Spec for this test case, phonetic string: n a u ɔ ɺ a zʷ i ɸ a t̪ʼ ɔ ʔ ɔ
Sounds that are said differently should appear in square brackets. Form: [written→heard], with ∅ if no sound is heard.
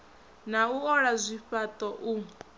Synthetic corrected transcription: n a u ɔ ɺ a zʷ i ɸ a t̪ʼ ɔ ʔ [ɔ→u]